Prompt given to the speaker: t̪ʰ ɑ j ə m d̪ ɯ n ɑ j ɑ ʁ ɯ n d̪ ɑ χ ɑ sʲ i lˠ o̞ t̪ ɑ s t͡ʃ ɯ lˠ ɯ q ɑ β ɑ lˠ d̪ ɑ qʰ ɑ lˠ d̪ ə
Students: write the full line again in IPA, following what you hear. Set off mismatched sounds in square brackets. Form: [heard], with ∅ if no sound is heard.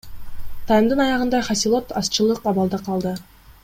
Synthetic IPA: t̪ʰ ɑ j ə m d̪ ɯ n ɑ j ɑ ʁ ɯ n d̪ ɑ χ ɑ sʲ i lˠ o̞ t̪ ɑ s t͡ʃ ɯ lˠ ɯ q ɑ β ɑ lˠ d̪ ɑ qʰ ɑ lˠ d̪ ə